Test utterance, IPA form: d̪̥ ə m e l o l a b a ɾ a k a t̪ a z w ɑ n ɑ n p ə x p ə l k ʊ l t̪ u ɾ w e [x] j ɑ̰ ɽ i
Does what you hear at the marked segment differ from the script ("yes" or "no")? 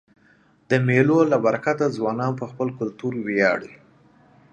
yes